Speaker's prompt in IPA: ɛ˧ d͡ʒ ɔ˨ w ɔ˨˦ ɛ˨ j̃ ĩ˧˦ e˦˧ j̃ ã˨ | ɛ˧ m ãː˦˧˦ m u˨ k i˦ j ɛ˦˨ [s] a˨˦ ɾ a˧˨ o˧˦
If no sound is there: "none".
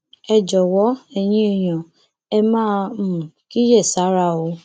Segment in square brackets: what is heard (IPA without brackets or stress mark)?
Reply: s